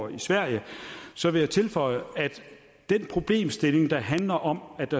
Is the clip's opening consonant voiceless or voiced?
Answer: voiceless